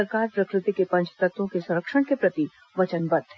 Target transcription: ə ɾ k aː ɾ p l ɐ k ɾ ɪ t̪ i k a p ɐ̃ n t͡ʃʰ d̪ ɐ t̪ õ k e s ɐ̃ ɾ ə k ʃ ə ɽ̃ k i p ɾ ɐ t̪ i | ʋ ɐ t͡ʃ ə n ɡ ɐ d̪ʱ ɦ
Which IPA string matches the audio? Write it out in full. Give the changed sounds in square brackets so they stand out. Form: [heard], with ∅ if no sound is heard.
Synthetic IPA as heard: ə ɾ k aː ɾ p [ɾ] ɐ k ɾ ɪ t̪ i k [e] p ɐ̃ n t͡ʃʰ [t̪] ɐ t̪ õ k e s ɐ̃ ɾ ə k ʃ ə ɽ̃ k [e] p ɾ ɐ t̪ i | ʋ ɐ t͡ʃ ə n [b] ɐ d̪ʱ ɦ